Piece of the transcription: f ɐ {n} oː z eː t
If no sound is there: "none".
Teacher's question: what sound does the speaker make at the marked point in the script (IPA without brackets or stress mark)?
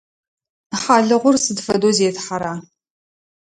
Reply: d